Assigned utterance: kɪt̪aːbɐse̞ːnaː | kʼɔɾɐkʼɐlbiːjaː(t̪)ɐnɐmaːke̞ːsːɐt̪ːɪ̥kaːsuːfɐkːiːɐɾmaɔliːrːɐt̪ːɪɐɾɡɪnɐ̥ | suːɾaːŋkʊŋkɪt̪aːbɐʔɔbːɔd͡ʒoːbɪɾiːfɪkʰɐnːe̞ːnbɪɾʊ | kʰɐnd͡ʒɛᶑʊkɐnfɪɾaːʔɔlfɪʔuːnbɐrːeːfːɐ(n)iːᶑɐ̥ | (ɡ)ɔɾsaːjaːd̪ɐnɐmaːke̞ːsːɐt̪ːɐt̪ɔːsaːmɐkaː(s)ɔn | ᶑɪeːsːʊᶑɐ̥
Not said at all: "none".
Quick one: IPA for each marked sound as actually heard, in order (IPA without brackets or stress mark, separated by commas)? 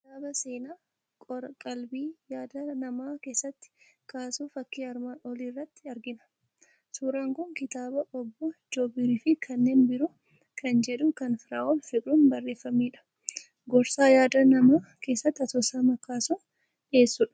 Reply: d̪, m, ɡ, s